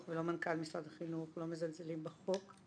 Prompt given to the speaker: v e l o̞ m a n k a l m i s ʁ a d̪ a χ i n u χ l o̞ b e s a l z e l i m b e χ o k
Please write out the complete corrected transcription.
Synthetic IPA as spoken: v e l o̞ m a n k a l m i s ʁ a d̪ a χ i n u χ l o̞ m e z a l z e l i m b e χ o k